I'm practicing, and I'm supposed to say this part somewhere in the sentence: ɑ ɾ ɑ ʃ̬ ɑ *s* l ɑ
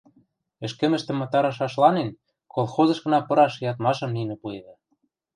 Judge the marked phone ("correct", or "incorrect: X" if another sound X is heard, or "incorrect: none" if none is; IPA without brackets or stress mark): incorrect: ʃ